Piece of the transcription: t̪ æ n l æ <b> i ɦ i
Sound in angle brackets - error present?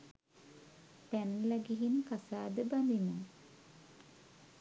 yes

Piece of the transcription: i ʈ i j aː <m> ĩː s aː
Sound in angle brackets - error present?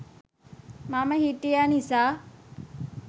yes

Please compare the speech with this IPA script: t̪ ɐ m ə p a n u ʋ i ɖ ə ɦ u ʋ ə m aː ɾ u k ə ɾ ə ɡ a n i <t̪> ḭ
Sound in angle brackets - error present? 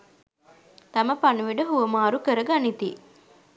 no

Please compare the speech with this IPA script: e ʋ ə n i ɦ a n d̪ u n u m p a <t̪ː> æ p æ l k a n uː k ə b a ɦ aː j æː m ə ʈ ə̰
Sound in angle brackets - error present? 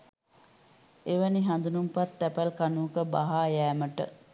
no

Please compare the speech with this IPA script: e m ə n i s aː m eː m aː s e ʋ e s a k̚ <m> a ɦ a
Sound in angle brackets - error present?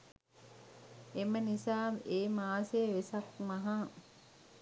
no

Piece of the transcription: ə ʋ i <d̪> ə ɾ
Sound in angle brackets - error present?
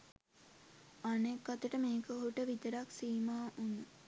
yes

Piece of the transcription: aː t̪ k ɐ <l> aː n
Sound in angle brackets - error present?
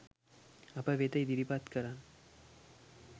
yes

